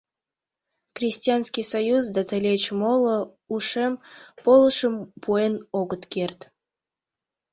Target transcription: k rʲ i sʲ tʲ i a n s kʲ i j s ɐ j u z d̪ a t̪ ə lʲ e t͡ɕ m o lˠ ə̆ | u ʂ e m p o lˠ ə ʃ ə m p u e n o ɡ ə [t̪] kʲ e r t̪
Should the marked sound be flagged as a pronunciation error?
no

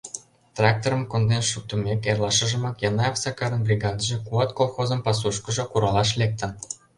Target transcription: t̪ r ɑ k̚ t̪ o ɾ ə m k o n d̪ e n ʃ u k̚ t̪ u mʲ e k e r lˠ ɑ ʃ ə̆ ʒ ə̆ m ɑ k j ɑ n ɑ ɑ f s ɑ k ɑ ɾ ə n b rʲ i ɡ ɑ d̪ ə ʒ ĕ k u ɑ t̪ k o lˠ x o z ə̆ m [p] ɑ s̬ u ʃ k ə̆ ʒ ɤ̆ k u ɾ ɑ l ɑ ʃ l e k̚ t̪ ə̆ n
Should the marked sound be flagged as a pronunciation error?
no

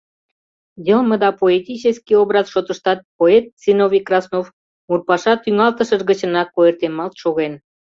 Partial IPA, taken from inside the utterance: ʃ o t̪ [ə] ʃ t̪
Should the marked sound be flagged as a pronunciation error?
no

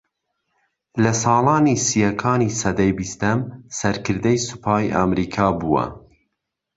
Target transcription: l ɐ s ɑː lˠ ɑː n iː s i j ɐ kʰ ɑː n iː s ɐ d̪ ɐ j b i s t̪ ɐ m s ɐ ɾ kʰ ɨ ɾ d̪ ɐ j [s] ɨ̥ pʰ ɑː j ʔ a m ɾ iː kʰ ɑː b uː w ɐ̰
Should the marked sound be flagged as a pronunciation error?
no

